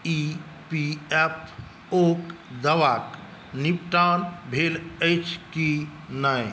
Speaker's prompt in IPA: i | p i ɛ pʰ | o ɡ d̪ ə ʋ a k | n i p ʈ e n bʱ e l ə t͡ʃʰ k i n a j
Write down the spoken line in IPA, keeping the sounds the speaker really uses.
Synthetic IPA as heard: i | p i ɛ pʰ | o k d̪ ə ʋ a k | n i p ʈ a n bʱ e l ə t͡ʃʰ k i n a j